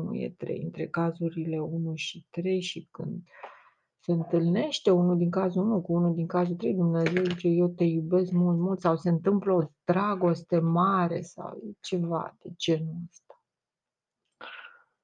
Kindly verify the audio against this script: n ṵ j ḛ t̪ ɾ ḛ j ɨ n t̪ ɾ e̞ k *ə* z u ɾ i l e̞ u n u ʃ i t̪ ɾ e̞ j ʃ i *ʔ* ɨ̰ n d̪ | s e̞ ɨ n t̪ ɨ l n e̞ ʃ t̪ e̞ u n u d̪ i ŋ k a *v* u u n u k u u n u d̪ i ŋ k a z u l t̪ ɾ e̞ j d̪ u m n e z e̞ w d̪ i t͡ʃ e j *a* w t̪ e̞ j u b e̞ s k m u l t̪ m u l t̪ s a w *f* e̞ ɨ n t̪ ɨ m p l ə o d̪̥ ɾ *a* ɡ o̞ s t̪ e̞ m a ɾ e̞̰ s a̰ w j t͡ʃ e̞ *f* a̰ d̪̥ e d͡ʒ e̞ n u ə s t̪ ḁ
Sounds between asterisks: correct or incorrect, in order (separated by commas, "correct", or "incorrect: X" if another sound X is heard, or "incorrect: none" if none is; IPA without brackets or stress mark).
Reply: incorrect: a, incorrect: k, incorrect: z, incorrect: e, incorrect: s, correct, incorrect: v